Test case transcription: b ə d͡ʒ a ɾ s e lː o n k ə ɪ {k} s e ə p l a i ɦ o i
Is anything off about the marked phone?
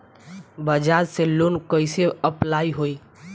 yes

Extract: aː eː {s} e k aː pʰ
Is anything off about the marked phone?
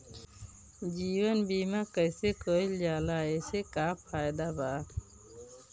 no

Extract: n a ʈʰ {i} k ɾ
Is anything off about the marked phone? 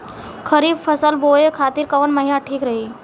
yes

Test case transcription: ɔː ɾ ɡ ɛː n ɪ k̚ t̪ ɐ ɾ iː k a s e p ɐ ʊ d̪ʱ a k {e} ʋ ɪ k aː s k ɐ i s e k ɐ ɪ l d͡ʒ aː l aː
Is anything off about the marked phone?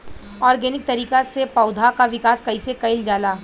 yes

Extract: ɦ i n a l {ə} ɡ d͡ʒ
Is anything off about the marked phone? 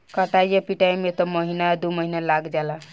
yes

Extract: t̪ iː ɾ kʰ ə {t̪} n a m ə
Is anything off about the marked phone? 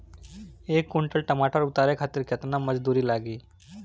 no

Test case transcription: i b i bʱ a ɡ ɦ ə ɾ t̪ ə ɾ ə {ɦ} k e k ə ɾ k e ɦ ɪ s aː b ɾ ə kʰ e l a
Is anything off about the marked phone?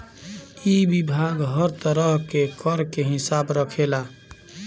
no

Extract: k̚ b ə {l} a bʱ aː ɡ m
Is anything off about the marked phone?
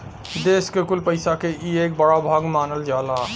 yes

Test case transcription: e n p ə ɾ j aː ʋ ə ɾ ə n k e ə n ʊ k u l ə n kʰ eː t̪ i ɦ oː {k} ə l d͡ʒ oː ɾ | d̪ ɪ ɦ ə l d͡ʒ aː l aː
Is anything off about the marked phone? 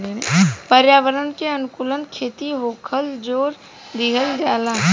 yes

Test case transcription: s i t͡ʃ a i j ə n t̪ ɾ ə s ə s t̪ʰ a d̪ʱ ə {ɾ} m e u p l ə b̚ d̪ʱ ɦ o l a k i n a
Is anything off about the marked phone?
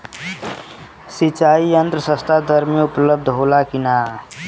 no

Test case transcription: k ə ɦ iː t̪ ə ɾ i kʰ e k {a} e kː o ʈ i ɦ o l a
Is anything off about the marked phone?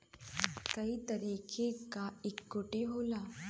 no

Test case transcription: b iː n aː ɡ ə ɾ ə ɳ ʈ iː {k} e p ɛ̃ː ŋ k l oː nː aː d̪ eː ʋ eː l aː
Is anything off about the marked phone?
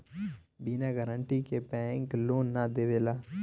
no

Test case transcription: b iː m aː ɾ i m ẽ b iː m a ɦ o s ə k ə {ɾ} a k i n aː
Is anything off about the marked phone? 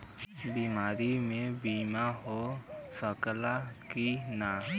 yes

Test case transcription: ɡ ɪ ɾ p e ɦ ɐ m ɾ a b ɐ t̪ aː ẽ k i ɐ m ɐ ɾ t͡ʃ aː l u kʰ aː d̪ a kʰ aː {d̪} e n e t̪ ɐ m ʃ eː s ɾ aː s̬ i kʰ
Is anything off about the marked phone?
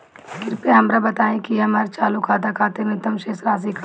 yes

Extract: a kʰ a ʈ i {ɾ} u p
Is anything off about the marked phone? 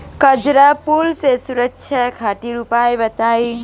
no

